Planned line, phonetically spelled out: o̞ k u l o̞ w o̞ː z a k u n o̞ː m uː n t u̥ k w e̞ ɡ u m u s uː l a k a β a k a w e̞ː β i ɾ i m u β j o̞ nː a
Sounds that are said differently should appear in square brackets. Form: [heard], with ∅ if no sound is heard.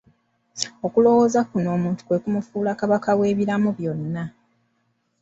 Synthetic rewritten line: o̞ k u l o̞ w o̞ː z a k u n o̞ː m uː n t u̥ k w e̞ [k] u m u [f] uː l a k a β a k a w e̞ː β i ɾ [a] m u β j o̞ nː a